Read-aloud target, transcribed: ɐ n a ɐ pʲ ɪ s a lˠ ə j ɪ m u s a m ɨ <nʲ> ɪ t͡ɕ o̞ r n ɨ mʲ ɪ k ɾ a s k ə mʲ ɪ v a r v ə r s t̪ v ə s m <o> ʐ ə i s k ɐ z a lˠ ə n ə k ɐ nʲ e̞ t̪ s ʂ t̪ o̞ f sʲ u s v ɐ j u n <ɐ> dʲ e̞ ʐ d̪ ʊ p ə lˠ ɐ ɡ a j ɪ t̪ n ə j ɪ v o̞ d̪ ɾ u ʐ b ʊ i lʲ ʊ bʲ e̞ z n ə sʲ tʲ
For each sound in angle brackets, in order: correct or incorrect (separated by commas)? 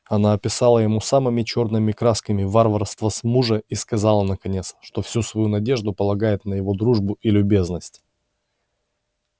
incorrect, incorrect, correct